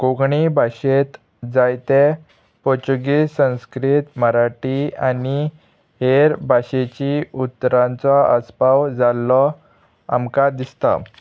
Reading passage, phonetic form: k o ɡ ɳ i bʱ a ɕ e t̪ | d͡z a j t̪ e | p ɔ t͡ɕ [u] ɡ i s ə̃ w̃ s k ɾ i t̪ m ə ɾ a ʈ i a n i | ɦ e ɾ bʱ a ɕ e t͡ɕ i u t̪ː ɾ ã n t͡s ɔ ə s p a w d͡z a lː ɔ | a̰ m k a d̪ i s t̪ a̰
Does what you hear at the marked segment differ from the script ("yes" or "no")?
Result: no